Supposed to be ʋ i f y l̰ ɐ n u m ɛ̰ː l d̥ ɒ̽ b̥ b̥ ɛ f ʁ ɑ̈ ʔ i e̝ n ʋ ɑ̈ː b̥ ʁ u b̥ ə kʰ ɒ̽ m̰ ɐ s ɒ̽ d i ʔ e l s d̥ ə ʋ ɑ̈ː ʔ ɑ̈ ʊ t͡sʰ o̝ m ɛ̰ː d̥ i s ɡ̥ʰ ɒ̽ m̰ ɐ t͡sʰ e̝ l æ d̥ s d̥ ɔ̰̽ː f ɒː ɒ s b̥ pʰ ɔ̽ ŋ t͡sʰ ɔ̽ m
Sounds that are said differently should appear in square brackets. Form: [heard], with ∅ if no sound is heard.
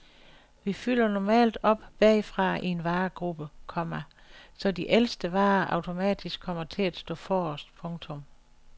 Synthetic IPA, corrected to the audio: ʋ i f y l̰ ɐ n [ɒ] m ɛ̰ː l d̥ ɒ̽ b̥ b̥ ɛ f ʁ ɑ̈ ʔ i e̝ n ʋ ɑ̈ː [ɡ̥] ʁ u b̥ ə kʰ ɒ̽ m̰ ɐ s ɒ̽ d i ʔ e l s d̥ ə ʋ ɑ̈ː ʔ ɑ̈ ʊ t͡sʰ o̝ m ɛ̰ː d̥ i s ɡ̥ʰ ɒ̽ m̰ ɐ t͡sʰ e̝ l æ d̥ s d̥ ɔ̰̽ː f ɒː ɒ s [d̥] pʰ ɔ̽ ŋ t͡sʰ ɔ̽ m